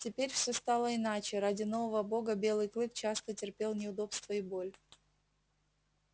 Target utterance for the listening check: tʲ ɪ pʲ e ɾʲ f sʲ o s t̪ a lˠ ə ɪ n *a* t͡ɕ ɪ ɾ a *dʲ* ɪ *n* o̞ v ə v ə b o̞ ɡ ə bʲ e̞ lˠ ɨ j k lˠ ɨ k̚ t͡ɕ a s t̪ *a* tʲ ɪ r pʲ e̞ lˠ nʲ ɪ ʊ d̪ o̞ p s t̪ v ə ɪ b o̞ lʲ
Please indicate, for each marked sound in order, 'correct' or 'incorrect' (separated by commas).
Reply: correct, correct, correct, incorrect